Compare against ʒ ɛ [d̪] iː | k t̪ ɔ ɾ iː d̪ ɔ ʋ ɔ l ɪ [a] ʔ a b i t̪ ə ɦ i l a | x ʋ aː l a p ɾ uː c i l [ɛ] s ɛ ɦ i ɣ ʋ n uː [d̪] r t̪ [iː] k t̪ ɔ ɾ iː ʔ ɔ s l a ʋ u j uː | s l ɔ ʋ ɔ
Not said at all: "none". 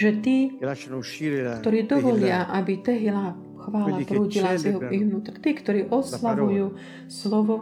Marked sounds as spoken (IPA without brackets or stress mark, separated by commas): t̪, a, a, t̪, iː